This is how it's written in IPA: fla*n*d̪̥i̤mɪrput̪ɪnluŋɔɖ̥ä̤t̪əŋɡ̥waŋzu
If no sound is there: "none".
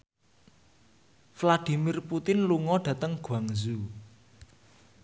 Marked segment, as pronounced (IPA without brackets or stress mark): none